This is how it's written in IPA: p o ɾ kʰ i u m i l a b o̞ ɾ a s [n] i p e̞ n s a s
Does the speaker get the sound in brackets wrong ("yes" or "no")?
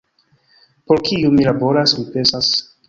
yes